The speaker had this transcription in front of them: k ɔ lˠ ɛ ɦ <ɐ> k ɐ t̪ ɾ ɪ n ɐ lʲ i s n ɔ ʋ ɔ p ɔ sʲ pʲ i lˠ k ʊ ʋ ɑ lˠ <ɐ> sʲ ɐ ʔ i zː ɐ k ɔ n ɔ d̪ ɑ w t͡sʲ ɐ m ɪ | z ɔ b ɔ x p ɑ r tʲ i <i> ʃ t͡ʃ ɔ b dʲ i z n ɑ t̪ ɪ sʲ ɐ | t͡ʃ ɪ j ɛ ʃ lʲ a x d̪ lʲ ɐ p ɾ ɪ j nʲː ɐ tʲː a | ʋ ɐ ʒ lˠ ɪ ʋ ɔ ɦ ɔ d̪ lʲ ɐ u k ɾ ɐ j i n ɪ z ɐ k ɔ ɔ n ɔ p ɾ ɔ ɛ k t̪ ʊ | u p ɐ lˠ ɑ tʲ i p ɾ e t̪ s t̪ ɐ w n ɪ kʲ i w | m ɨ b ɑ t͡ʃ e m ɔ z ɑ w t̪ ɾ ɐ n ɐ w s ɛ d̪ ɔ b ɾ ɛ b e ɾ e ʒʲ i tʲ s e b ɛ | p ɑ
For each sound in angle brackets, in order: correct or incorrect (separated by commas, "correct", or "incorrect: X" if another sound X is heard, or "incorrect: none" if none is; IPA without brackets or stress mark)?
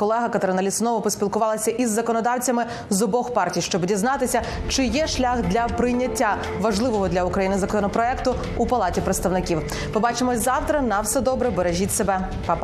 correct, correct, incorrect: j